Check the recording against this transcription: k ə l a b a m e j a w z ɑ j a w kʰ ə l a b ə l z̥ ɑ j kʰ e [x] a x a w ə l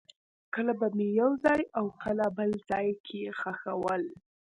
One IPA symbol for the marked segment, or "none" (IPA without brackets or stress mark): x